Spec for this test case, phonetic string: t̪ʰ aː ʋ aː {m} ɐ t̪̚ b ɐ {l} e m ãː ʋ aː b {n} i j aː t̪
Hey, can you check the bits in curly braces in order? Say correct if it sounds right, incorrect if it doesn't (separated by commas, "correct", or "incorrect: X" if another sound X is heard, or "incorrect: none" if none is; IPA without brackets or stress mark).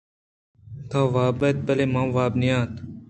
incorrect: b, correct, correct